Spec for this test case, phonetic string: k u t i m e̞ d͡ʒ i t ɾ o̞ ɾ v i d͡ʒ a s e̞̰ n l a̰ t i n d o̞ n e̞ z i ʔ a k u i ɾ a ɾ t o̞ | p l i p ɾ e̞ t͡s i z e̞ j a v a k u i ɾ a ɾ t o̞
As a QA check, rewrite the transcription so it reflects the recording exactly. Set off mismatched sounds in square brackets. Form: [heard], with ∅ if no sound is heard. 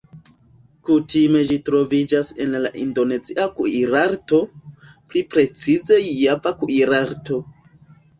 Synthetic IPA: k u t i m e̞ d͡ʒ i t ɾ o̞ [∅] v i d͡ʒ a s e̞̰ n l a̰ [ʔ] i n d o̞ n e̞ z i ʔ a k u i ɾ a ɾ t o̞ | p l i p ɾ e̞ t͡s i z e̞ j a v a k u i ɾ a ɾ t o̞

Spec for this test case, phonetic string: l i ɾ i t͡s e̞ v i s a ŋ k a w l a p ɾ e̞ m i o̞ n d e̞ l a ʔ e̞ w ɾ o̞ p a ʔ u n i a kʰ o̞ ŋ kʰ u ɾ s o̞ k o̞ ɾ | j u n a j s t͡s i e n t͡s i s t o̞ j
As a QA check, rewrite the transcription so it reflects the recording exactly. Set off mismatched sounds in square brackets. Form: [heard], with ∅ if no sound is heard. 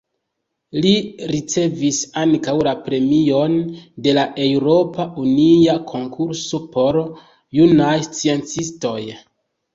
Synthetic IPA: l i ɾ i t͡s e̞ v i s a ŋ k a w l a p ɾ e̞ m i o̞ n d e̞ l a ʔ e̞ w ɾ o̞ p a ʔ u n i a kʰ o̞ ŋ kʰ u ɾ s o̞ [p] o̞ ɾ | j u n a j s t͡s i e n t͡s i s t o̞ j

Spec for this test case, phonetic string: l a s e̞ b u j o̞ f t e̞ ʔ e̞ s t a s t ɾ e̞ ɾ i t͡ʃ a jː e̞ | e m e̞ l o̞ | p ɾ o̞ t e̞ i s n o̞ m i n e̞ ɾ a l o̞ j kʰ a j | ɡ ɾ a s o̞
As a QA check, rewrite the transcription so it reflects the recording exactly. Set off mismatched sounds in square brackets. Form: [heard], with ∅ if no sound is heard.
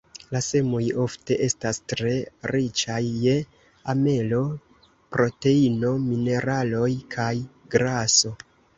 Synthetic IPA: l a s e̞ [m] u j o̞ f t e̞ ʔ e̞ s t a s t ɾ e̞ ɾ i t͡ʃ a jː e̞ | [a] m e̞ l o̞ | p ɾ o̞ t e̞ i [∅] n o̞ m i n e̞ ɾ a l o̞ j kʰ a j | ɡ ɾ a s o̞

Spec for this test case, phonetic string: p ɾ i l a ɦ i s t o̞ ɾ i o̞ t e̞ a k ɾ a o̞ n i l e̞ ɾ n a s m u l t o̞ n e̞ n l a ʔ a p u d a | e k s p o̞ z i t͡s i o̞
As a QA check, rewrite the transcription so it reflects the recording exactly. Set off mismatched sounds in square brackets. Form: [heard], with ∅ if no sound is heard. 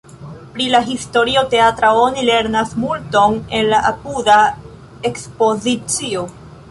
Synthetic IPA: p ɾ i l a ɦ i s t o̞ ɾ i o̞ t e̞ a [t] ɾ a o̞ n i l e̞ ɾ n a s m u l t o̞ n e̞ n l a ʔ a p u d a | e k s p o̞ z i t͡s i o̞

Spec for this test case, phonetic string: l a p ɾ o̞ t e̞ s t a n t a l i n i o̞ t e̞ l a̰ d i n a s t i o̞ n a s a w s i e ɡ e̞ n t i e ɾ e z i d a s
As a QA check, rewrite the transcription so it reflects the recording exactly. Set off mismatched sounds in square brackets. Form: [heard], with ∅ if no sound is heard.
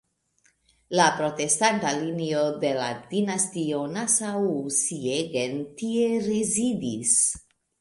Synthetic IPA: l a p ɾ o̞ t e̞ s t a n t a l i n i o̞ [d] e̞ l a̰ d i n a s t i o̞ n a s a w s i e ɡ e̞ n t i e ɾ e z i d [i] s

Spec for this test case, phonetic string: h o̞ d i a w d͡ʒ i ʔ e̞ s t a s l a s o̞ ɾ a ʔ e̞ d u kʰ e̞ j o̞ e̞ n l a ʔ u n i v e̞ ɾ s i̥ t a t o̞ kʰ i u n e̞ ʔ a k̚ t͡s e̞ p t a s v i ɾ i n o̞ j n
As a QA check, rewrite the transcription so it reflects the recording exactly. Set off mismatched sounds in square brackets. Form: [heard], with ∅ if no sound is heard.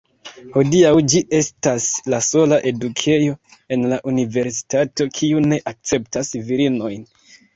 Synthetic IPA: h o̞ d i a w d͡ʒ i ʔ e̞ s t a s l a s o̞ [l] a ʔ e̞ d u kʰ e̞ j o̞ e̞ n l a ʔ u n i v e̞ ɾ s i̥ t a t o̞ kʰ i u n e̞ ʔ a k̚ t͡s e̞ p t a s v i ɾ i n o̞ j n

